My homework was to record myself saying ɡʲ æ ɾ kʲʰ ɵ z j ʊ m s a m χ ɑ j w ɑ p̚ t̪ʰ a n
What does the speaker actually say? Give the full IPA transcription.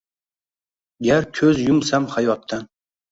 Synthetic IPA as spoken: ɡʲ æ ɾ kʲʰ ɵ z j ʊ m s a m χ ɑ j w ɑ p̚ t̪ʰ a n